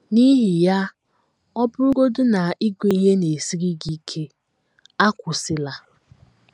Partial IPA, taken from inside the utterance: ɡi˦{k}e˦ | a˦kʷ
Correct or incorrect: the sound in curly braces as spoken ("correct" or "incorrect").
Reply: incorrect